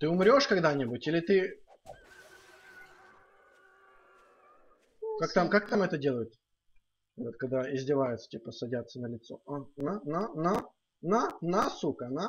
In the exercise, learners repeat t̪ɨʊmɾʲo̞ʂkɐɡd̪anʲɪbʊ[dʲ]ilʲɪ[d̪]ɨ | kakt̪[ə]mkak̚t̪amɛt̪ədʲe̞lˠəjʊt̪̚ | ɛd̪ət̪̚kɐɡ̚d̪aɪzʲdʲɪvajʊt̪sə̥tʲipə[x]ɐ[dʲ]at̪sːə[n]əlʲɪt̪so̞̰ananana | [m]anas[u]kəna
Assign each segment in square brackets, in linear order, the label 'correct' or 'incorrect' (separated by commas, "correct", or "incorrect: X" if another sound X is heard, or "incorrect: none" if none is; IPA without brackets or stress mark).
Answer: incorrect: tʲ, incorrect: t̪, incorrect: a, incorrect: s, correct, correct, incorrect: n, correct